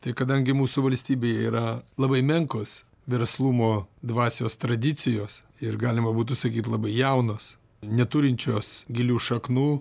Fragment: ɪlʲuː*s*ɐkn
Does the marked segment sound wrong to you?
yes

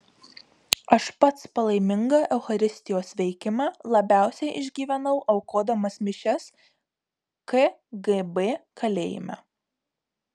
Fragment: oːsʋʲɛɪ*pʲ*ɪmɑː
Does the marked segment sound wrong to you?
yes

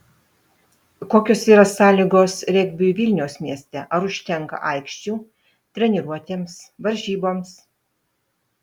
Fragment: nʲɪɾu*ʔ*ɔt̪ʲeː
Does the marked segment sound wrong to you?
yes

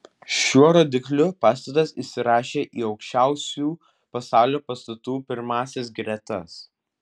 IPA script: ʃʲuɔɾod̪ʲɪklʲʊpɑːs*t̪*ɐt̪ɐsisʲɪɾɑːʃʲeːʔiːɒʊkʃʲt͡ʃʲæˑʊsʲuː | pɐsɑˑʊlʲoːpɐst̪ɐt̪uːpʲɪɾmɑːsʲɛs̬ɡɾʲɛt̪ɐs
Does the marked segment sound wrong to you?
no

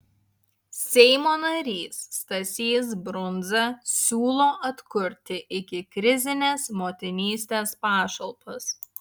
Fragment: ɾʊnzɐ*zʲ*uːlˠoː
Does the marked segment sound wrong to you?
yes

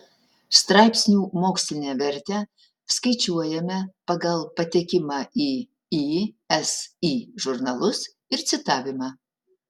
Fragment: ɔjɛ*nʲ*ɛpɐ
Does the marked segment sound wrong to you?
yes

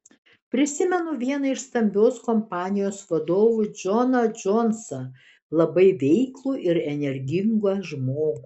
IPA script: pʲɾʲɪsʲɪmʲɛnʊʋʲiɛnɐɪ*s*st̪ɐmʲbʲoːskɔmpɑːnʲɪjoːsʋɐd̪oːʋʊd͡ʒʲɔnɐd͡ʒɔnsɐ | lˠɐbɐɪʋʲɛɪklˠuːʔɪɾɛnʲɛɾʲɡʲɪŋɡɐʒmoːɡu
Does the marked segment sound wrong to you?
yes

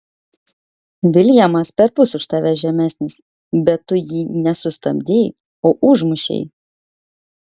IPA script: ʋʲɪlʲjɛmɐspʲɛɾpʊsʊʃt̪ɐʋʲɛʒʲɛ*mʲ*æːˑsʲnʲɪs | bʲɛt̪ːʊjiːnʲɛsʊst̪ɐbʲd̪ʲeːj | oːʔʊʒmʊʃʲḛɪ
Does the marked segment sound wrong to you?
no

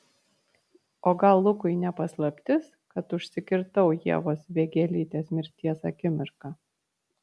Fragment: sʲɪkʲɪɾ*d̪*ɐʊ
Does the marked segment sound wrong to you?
yes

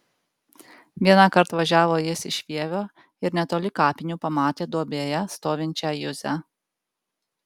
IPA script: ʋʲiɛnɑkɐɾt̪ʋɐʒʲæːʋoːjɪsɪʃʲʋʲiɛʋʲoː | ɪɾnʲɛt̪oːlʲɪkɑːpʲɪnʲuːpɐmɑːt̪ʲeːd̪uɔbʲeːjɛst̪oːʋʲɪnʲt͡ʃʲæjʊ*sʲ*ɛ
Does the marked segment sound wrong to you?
yes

